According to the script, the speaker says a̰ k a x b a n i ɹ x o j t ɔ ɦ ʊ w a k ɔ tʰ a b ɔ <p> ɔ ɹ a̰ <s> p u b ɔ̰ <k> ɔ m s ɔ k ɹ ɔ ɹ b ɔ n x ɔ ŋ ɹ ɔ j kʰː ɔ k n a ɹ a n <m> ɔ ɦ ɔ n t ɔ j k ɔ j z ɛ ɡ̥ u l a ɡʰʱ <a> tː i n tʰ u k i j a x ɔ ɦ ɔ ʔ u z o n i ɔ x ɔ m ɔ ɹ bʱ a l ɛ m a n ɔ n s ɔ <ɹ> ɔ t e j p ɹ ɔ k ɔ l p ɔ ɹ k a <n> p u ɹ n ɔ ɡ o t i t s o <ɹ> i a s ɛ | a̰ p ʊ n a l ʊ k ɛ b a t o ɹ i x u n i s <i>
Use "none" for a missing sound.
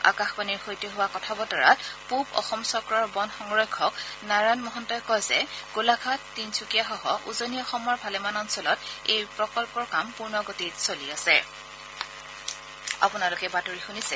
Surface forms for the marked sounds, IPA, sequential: t, t, x, m, a, l, m, l, ɛ

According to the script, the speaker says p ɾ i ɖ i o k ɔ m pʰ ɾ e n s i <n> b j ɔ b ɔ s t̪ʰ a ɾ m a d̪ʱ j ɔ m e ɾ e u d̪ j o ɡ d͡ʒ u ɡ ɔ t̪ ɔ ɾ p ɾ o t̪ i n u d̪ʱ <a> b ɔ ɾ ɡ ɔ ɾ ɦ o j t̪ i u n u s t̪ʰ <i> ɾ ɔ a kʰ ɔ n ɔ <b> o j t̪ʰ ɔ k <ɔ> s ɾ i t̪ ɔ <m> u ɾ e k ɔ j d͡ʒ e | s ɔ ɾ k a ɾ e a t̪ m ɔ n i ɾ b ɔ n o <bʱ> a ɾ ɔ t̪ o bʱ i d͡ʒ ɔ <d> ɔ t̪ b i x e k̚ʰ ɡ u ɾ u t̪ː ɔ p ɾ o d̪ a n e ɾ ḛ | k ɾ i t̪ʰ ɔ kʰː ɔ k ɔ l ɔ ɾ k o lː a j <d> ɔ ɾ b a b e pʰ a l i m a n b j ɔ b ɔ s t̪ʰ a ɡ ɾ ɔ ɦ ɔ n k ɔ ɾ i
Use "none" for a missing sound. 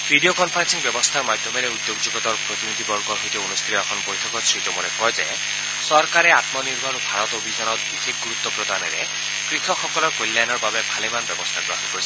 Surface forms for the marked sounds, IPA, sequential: ŋ, i, i, b, ɔ, m, bʱ, n, n

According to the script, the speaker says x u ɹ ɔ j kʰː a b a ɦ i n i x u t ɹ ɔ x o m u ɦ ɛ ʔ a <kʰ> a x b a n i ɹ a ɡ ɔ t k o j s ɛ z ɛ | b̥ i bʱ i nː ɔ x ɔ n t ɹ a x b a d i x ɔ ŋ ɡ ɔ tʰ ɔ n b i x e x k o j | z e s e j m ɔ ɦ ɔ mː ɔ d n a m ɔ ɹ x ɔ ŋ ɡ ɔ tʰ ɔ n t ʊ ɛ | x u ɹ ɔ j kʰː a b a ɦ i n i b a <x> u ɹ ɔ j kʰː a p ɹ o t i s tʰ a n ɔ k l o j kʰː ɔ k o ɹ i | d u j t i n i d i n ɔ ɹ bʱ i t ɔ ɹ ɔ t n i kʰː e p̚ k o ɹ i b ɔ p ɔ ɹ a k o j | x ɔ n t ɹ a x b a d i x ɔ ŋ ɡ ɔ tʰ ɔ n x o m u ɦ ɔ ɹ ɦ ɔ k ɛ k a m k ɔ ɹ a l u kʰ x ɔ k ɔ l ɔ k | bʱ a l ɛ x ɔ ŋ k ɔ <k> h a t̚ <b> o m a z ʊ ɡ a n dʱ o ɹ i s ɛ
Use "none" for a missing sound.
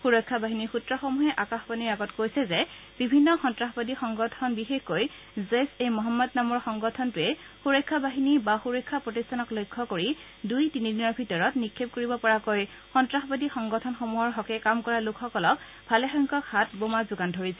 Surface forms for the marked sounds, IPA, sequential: k, x, k, b

